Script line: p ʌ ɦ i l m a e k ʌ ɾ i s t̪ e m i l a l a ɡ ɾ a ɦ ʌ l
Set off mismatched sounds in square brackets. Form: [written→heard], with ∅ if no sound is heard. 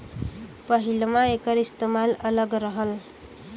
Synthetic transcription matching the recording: p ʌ ɦ i l m a e k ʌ ɾ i s t̪ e m [i→a] l [a→ʌ] l [a→ʌ] ɡ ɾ [a→ʌ] ɦ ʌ l